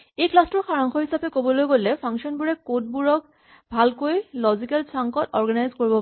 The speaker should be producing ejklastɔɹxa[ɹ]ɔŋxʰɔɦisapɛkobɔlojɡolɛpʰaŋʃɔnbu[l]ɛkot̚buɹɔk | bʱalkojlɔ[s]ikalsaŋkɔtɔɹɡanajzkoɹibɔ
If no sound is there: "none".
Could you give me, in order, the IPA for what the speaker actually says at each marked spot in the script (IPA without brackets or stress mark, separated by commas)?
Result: ɹ, ɹ, z